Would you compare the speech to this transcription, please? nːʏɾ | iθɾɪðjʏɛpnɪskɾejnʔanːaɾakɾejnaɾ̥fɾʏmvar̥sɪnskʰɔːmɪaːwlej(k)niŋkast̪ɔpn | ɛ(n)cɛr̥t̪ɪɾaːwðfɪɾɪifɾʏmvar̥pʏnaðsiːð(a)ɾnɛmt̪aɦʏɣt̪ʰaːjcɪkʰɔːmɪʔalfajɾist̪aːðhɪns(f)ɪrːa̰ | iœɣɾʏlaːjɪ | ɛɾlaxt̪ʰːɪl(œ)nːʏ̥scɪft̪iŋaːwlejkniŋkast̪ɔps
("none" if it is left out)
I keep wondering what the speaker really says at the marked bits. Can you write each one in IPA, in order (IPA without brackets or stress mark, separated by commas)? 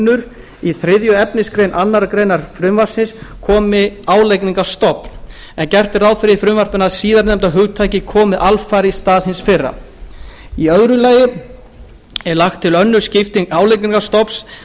k, n, a, f, œ